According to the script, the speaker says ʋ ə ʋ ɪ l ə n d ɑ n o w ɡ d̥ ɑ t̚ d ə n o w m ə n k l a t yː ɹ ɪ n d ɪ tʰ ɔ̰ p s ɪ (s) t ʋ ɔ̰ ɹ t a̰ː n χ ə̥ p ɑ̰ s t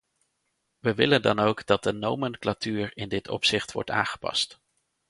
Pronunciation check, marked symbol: incorrect: χ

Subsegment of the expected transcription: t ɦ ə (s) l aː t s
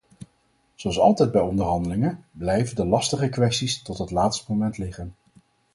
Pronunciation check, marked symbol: incorrect: t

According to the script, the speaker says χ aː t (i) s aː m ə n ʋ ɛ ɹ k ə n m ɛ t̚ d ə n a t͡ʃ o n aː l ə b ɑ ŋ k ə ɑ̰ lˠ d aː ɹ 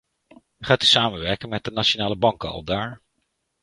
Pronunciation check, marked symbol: incorrect: y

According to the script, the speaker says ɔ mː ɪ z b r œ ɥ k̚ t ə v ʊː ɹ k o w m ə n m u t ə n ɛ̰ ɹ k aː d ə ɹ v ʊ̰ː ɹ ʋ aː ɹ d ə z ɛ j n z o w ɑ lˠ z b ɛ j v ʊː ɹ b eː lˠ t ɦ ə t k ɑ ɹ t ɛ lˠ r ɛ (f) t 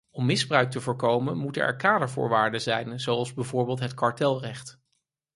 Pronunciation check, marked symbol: incorrect: χ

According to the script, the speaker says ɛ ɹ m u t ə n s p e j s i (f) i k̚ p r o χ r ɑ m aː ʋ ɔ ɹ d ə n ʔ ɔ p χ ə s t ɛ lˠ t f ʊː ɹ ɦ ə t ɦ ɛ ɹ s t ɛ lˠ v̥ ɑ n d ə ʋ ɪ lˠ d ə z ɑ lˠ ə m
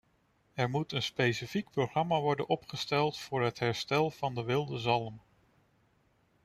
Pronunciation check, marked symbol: correct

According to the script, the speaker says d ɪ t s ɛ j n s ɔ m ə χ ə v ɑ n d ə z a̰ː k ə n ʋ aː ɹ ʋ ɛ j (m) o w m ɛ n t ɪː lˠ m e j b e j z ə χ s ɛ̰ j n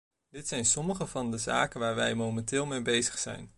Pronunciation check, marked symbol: correct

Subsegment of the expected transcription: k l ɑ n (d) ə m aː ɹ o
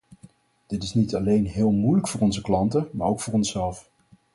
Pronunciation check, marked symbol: incorrect: t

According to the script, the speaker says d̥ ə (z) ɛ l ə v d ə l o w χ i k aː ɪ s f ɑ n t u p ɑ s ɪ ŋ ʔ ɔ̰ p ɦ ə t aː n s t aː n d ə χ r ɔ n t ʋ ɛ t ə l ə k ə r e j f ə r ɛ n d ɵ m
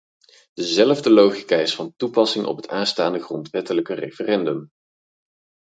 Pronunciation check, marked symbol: correct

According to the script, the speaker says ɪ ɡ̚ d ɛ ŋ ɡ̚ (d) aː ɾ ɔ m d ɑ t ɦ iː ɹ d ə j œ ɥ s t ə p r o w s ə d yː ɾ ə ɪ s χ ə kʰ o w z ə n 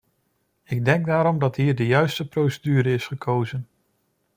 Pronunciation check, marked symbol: correct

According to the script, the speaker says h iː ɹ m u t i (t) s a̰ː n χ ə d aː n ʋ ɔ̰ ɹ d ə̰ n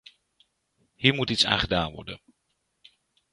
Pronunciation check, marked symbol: correct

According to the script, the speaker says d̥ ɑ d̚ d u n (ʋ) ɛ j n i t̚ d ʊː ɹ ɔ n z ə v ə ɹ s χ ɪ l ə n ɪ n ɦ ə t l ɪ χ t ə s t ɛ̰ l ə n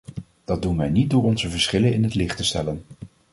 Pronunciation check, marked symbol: correct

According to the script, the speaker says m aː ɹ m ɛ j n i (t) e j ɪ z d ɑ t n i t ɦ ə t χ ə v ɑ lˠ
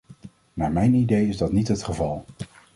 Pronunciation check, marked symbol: incorrect: d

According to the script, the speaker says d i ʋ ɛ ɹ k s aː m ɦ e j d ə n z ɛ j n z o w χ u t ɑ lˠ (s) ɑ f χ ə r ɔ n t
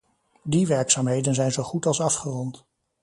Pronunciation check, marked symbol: correct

